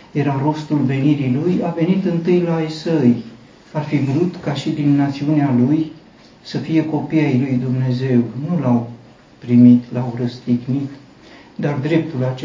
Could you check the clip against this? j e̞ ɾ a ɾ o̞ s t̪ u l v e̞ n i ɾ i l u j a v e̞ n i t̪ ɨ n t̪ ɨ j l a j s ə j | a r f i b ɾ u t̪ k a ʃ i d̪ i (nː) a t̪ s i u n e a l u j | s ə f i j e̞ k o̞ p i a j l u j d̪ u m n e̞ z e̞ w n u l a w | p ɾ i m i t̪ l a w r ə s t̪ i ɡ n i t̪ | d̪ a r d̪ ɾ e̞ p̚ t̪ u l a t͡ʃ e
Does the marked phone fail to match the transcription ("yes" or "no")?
no